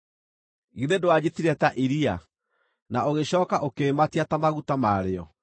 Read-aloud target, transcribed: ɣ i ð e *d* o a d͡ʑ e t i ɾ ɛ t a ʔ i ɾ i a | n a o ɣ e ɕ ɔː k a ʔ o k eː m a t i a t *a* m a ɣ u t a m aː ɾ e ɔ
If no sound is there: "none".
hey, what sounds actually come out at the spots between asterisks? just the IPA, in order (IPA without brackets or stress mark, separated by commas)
d, a